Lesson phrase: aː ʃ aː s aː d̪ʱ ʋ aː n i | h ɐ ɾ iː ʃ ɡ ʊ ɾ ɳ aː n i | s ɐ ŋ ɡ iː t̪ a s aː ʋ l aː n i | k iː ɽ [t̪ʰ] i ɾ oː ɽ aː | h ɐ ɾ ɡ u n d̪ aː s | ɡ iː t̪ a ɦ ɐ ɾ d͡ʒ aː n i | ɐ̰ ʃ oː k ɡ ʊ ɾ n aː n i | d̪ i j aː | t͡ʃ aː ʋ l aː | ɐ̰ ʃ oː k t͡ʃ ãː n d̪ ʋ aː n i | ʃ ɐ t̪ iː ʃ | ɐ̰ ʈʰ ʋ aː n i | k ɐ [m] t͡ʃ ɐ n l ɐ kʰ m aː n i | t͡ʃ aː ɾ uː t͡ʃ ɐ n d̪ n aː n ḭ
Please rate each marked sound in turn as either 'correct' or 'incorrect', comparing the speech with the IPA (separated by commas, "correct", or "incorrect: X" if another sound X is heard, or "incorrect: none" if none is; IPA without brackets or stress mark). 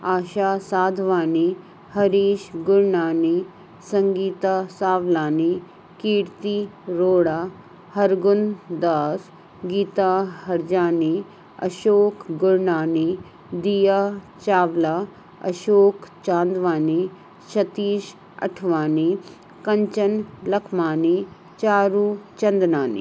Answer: incorrect: t̪, incorrect: ɲ